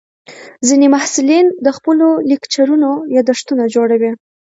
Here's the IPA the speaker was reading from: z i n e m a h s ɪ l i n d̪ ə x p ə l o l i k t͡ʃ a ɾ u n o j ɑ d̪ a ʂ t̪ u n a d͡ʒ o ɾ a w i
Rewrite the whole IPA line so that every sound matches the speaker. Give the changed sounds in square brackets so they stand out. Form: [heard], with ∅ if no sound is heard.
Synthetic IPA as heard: z i n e m a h s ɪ l i n d̪ ə x p ə l o l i k t͡ʃ a ɾ u n o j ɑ d̪ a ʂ t̪ u n a d͡ʒ o [ɽ] a w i